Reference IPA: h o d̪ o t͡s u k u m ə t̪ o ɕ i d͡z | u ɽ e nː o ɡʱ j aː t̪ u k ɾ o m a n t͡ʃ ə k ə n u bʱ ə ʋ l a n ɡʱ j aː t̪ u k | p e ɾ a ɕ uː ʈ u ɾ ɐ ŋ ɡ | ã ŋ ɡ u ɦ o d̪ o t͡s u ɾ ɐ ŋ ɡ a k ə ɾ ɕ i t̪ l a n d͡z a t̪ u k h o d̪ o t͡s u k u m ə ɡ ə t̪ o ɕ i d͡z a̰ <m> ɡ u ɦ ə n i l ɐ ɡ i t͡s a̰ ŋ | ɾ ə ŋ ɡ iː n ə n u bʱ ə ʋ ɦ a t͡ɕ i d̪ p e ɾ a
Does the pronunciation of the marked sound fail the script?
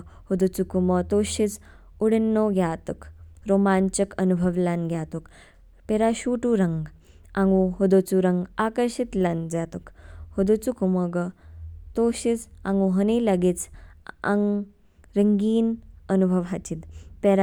yes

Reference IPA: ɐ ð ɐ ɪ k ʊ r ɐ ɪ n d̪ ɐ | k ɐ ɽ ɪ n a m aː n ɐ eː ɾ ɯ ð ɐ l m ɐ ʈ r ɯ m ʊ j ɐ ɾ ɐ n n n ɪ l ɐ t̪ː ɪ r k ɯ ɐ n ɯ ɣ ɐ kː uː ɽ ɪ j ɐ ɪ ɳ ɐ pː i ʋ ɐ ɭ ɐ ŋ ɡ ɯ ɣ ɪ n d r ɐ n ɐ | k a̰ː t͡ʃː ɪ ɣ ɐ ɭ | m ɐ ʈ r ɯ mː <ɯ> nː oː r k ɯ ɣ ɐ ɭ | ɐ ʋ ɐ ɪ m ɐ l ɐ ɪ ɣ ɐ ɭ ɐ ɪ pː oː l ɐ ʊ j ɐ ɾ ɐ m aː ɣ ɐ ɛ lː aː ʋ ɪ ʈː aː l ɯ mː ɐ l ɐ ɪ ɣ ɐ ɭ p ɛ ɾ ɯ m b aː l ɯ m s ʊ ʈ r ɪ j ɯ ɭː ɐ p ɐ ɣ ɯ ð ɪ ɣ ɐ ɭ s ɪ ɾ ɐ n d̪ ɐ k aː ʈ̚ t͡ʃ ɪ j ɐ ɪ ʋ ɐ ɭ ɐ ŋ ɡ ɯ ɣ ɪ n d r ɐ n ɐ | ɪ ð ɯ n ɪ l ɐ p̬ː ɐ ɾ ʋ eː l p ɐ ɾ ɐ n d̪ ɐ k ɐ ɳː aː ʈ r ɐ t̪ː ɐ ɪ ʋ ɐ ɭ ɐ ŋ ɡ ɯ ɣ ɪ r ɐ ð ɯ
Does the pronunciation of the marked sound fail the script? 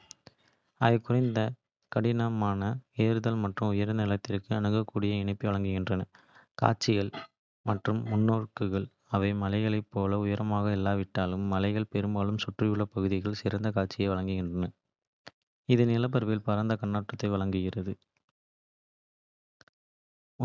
yes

